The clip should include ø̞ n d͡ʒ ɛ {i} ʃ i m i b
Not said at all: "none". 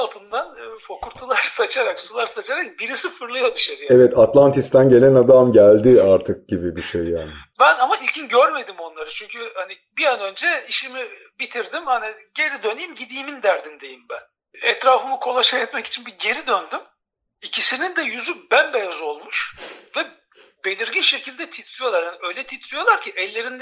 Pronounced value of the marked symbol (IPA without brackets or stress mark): i